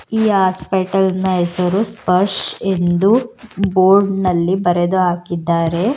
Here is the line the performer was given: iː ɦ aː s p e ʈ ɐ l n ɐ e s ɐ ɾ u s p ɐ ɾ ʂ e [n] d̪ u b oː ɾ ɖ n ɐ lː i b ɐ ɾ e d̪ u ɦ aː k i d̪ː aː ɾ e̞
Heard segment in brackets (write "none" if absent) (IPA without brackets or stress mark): n